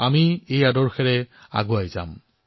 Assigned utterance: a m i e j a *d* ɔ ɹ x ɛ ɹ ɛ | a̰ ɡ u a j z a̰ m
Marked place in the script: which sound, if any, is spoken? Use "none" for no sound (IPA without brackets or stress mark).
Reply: d